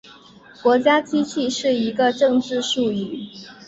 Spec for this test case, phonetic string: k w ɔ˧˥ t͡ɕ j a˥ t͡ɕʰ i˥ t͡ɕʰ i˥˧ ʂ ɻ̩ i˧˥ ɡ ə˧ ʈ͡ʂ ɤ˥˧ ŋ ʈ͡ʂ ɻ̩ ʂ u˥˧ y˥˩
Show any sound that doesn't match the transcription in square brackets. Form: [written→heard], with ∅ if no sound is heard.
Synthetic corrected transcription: k w ɔ˧˥ t͡ɕ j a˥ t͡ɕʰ i˥ t͡ɕʰ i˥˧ ʂ ɻ̩ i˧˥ ɡ ə˧ ʈ͡ʂ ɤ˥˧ ŋ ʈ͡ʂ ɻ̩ ʂ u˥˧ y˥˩